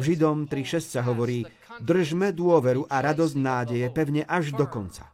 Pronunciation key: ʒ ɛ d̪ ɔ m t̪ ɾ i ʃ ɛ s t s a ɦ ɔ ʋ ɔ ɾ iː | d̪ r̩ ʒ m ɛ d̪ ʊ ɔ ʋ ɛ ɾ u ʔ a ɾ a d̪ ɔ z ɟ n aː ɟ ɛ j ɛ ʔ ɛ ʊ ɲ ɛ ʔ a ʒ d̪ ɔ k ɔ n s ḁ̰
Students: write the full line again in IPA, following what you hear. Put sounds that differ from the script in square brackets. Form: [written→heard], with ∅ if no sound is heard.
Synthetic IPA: ʒ [ɛ→i] d̪ ɔ m t̪ ɾ i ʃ ɛ s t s a ɦ ɔ ʋ ɔ ɾ iː | d̪ r̩ ʒ m ɛ d̪ ʊ ɔ ʋ ɛ ɾ u ʔ a ɾ a d̪ ɔ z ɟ n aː ɟ ɛ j ɛ [ʔ→p] ɛ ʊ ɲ ɛ ʔ a ʒ d̪ ɔ k ɔ n [s→t͡s] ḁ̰